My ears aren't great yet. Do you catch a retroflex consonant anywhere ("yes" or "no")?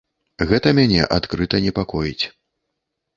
no